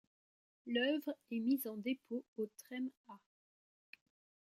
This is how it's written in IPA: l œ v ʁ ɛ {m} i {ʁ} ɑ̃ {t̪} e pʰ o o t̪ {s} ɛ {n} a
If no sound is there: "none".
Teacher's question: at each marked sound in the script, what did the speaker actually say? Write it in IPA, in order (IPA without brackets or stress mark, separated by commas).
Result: m, z, d̪, χ, m